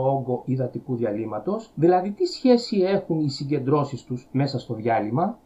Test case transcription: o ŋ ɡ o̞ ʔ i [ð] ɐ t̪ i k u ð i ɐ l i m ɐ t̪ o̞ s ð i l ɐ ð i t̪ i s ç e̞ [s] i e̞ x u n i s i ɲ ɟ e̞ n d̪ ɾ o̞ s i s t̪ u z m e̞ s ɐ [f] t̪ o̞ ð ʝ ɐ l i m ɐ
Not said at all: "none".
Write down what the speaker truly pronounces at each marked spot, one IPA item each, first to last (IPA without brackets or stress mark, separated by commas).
ð, s, s